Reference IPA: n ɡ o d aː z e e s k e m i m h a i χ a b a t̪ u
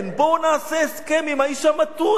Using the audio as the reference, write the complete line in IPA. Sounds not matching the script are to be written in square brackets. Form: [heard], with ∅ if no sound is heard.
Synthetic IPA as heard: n [b] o [n] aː [s] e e s k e m i m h a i [ʃ] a [m] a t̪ u